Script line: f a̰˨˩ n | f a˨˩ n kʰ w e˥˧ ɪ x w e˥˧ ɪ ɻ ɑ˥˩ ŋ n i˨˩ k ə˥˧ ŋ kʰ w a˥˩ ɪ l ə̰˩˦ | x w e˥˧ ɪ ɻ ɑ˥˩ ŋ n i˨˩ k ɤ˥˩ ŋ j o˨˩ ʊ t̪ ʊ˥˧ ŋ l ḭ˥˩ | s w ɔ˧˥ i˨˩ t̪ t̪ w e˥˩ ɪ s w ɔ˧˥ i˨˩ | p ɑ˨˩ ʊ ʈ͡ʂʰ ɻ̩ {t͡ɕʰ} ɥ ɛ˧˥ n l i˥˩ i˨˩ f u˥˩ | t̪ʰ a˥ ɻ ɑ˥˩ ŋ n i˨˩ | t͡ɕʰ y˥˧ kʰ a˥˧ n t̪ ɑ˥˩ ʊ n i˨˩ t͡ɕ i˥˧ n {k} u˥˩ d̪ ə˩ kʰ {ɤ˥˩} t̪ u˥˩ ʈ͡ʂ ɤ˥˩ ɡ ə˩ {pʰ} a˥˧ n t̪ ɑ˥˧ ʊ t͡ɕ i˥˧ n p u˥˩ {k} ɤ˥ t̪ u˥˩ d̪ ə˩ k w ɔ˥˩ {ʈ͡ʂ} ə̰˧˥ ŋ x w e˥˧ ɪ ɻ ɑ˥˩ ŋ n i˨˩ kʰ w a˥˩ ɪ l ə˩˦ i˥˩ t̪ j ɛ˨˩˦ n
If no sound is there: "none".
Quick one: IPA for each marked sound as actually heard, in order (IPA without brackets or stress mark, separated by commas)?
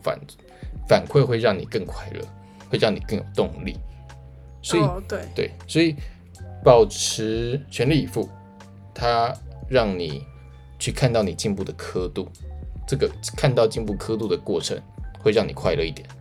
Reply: t͡ɕʰ, p, ɤ˥, kʰ, kʰ, ʈ͡ʂʰ